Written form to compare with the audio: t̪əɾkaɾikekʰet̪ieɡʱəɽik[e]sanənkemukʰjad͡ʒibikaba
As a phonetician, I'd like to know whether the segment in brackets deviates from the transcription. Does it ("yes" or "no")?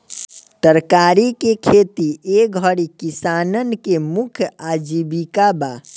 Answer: yes